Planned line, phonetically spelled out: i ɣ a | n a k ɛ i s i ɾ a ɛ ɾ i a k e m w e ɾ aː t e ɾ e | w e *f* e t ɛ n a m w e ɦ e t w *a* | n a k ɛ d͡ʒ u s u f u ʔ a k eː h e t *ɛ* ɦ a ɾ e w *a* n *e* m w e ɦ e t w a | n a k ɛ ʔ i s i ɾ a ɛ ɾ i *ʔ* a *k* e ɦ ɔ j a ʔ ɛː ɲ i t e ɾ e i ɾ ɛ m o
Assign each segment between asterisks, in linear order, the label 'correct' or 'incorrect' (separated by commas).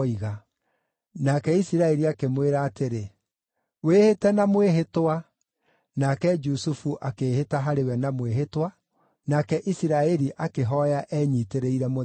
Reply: incorrect, correct, incorrect, incorrect, incorrect, correct, correct